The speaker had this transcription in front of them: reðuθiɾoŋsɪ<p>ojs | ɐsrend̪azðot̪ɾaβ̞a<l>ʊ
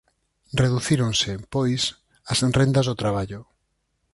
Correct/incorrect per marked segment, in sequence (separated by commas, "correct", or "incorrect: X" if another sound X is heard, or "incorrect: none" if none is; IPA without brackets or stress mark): correct, incorrect: ʎ